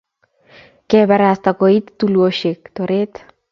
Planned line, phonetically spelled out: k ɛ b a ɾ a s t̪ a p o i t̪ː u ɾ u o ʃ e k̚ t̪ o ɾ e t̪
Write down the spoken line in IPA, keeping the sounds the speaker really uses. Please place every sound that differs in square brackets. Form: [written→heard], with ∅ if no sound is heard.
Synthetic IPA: k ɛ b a ɾ a s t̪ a [p→k] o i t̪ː u [ɾ→l] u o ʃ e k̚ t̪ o ɾ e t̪